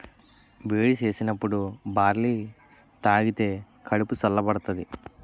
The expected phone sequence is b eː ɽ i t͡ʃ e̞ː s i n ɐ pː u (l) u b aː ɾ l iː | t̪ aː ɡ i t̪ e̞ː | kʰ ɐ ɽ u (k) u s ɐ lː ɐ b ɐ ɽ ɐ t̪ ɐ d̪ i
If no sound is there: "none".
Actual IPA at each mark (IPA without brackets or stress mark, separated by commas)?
ɽ, p